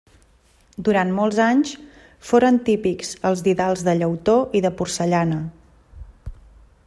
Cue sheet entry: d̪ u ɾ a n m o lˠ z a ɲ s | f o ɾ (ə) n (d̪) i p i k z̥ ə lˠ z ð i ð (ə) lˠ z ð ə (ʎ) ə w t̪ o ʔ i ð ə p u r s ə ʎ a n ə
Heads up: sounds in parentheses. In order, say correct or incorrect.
correct, incorrect: t̪, incorrect: a, correct

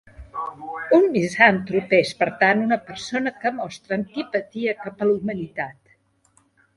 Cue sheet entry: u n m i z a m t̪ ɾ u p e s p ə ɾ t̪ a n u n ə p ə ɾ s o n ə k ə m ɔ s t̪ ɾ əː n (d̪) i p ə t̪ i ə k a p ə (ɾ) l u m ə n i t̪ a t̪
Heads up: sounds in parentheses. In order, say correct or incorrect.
incorrect: t̪, incorrect: none

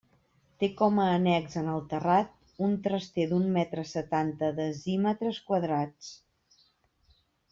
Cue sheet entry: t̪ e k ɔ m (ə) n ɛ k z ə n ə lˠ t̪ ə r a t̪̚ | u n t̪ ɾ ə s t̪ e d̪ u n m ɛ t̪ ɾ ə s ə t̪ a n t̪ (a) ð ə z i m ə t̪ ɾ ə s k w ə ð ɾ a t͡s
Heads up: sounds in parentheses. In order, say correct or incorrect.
incorrect: əː, incorrect: ə

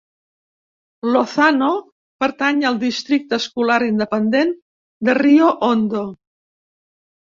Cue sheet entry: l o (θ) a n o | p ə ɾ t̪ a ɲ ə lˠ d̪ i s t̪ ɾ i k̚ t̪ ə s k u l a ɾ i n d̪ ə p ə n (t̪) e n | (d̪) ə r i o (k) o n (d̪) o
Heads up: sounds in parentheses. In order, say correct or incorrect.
correct, incorrect: d̪, correct, incorrect: ʔ, correct

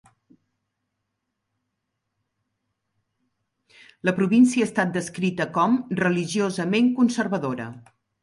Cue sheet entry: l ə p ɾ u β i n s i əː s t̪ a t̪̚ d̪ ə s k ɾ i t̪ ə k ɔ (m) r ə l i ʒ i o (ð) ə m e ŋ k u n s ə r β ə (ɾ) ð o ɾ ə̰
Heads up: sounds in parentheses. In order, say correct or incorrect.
correct, incorrect: z, incorrect: none

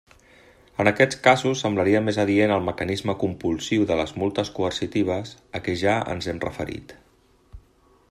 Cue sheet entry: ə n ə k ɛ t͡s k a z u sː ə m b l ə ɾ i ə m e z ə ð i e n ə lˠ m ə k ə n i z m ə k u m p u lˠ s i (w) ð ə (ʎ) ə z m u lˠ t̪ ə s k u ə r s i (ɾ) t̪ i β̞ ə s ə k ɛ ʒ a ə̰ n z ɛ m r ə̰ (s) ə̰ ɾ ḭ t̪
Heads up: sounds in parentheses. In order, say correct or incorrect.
correct, incorrect: l, incorrect: none, incorrect: f

